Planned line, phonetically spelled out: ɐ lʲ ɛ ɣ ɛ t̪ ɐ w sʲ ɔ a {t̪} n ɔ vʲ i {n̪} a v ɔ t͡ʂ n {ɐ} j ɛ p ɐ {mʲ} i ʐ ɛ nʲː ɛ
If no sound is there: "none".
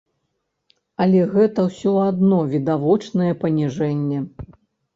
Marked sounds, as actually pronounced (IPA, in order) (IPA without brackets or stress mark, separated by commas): d̪, d̪, ɐ, nʲ